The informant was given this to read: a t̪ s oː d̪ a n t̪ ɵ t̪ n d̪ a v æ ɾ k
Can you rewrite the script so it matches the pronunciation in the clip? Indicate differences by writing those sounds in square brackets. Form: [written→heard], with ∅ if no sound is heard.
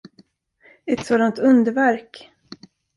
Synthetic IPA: [a→ɛ] t̪ s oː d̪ a n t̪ ɵ [t̪→∅] n d̪ [a→ə] v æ ɾ k